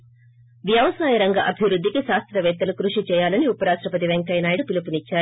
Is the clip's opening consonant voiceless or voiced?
voiced